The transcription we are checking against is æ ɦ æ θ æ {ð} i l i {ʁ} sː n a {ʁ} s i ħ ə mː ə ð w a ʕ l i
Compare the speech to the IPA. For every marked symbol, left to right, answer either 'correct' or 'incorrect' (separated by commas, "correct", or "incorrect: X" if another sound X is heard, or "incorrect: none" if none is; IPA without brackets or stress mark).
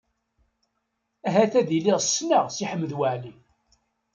correct, correct, correct